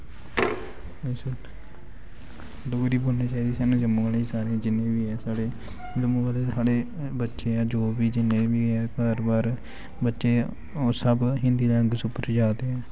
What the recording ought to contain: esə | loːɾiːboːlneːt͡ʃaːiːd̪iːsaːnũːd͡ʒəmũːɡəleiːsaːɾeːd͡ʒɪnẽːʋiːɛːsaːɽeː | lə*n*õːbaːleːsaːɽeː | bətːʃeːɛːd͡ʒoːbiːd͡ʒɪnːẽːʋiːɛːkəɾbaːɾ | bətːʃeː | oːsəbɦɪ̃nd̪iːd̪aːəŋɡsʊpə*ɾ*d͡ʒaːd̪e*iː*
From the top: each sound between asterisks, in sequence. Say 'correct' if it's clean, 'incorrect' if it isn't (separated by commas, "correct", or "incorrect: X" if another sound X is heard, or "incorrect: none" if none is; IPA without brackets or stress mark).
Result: incorrect: m, correct, incorrect: ɛː